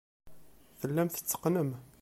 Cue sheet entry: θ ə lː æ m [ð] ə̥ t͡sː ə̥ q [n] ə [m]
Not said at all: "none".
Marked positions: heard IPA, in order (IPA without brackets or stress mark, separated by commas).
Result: θ, n, m